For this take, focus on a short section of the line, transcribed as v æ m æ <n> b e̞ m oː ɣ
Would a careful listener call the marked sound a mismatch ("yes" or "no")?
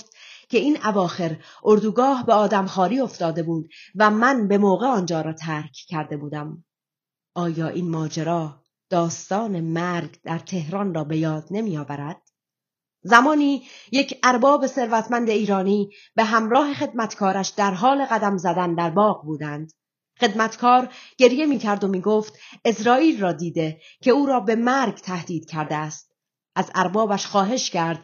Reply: no